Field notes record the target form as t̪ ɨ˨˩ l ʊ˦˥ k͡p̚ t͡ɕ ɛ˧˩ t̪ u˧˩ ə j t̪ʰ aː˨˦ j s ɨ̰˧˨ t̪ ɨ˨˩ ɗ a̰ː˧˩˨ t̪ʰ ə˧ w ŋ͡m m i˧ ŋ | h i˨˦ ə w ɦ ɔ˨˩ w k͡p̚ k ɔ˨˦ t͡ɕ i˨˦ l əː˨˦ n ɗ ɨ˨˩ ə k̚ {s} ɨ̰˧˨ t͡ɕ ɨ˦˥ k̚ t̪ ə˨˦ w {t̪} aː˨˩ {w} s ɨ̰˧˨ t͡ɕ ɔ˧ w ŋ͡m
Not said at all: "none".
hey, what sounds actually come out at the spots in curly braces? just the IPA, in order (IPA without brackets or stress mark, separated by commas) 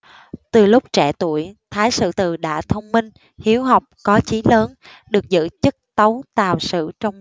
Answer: z, t̪, w